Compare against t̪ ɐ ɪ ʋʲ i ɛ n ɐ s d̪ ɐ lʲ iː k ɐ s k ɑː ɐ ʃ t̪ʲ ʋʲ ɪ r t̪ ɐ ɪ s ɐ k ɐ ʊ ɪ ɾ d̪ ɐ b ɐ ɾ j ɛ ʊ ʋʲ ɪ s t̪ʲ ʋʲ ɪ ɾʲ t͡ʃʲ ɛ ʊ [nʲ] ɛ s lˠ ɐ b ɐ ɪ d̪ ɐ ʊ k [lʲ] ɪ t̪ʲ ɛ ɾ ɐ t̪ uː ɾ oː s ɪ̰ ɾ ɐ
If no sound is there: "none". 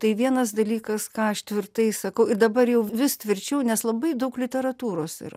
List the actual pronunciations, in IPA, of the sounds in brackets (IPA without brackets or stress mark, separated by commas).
nʲ, lʲ